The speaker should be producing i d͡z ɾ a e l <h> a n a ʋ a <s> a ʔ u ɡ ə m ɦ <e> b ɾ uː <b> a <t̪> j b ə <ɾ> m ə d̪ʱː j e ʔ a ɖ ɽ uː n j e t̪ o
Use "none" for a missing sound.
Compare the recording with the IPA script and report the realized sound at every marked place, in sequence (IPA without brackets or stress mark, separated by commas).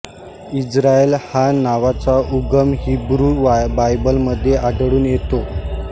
h, t͡s, i, b, none, l